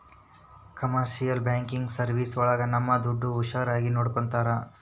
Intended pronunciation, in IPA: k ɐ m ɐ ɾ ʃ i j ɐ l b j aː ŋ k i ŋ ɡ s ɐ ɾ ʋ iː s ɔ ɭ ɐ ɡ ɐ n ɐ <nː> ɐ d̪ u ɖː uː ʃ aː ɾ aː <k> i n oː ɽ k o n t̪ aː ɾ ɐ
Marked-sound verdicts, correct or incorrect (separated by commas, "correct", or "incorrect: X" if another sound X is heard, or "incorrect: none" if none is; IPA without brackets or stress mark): incorrect: mː, incorrect: ɡ